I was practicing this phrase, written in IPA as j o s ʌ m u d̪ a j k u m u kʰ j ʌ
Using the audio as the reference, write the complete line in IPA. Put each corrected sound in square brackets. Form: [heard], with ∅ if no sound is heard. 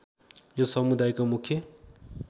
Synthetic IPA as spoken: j o s ʌ m u d̪ a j k [o] m u kʰ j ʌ